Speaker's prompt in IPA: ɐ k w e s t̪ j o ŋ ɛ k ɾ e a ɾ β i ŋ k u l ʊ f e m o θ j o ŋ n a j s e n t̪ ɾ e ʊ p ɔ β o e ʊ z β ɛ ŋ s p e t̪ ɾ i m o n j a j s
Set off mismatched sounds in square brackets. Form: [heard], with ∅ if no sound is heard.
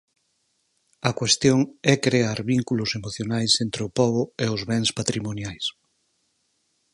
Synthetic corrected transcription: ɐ k w e s t̪ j o ŋ ɛ k ɾ e a ɾ β i ŋ k u l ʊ [s] e m o θ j o [∅] n a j s e n t̪ ɾ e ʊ p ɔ β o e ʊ z β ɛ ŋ s p [a] t̪ ɾ i m o n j a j s